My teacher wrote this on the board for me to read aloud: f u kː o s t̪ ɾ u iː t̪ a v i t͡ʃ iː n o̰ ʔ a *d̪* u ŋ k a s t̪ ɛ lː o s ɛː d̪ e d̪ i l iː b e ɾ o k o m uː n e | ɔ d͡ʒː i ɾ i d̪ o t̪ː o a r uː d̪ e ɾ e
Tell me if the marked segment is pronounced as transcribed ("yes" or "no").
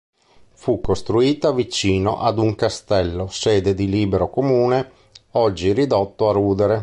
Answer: yes